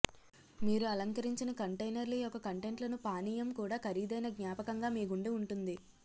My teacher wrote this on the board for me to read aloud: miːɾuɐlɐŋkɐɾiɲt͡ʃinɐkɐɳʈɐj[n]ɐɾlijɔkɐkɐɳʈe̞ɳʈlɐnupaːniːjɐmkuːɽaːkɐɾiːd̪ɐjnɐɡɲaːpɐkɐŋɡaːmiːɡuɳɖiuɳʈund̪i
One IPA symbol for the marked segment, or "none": n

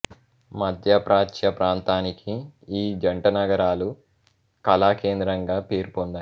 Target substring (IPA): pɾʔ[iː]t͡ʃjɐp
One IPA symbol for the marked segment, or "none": aː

